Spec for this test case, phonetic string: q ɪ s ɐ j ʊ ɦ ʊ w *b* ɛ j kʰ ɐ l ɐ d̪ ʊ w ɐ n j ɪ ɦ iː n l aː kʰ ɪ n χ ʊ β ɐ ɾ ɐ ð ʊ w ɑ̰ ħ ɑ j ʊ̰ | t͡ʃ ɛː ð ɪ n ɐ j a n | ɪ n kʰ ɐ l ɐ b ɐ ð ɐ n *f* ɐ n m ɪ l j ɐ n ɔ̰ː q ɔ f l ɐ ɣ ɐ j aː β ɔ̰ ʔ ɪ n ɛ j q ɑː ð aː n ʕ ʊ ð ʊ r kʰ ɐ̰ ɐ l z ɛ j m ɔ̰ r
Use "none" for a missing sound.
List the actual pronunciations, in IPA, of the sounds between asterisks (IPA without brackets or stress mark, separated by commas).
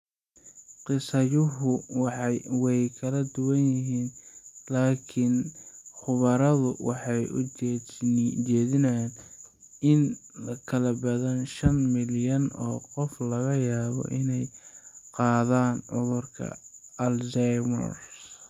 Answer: w, ʃ